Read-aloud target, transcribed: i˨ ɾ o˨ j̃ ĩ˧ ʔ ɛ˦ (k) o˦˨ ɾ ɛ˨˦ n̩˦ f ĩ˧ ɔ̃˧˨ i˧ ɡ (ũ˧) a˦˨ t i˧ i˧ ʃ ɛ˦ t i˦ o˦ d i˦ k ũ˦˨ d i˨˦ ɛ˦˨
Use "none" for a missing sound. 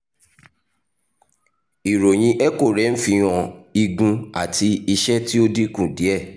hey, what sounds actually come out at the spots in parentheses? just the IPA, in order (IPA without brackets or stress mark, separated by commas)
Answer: k, ũ˧